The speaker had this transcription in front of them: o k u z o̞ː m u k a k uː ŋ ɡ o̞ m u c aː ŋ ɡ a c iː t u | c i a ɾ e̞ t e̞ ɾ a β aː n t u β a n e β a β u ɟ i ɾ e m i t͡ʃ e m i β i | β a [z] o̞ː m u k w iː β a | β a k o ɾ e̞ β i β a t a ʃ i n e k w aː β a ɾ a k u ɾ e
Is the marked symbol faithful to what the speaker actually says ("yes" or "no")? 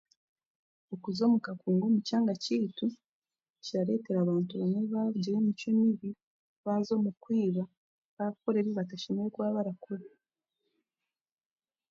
yes